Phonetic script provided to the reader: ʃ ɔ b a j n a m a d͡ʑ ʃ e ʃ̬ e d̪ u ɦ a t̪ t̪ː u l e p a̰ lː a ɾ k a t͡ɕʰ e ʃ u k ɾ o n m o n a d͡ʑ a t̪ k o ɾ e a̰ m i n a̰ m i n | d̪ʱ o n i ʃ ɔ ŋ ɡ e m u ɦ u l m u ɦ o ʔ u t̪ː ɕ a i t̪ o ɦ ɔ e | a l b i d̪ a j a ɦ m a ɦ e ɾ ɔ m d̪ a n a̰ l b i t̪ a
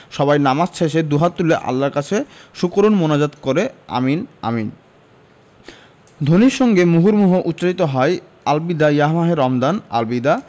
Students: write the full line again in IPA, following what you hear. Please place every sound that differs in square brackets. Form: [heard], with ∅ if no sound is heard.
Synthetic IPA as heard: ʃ ɔ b a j n a m a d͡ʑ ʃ e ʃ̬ e d̪ u ɦ a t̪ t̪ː u l e [ʔ] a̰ lː a ɾ k a t͡ɕʰ e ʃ u k ɾ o n m o n a d͡ʑ a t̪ k o ɾ e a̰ m i n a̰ m i n | d̪ʱ o n i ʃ ɔ ŋ ɡ e m u ɦ u [ɾ] m u ɦ o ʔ u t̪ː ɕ a i t̪ o ɦ ɔ e | a l b i d̪ a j a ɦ m a ɦ e ɾ ɔ m d̪ a n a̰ l b i [d̪] a